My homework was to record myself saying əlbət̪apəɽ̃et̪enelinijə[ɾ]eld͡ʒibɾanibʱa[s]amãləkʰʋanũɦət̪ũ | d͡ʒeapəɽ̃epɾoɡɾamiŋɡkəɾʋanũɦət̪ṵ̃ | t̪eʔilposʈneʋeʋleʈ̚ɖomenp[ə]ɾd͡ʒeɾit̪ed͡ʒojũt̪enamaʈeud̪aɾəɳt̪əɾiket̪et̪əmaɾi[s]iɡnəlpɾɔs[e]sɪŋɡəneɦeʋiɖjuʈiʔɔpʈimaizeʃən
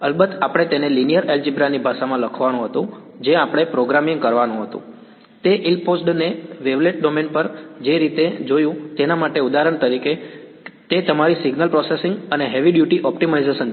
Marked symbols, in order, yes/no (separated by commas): yes, no, yes, yes, yes